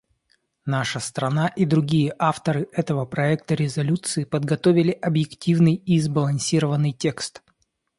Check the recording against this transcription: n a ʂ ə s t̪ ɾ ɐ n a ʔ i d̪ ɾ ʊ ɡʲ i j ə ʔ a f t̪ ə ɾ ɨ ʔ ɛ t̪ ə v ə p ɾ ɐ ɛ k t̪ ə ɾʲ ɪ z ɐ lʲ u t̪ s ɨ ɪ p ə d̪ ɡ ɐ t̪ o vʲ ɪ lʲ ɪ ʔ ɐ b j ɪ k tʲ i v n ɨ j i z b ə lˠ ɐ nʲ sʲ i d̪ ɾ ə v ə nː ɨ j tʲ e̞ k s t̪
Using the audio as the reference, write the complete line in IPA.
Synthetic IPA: n a ʂ ə s t̪ ɾ ɐ n a ʔ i d̪ ɾ ʊ ɡʲ i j ə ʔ a f t̪ ə ɾ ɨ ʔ ɛ t̪ ə v ə p ɾ ɐ ɛ k t̪ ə ɾʲ ɪ z ɐ lʲ u t̪ s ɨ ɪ p ə d̪ ɡ ɐ t̪ o vʲ ɪ lʲ ɪ ʔ ɐ b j ɪ k tʲ i v n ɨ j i z b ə lˠ ɐ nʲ sʲ i ɾ ə v ə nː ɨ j tʲ e̞ k s t̪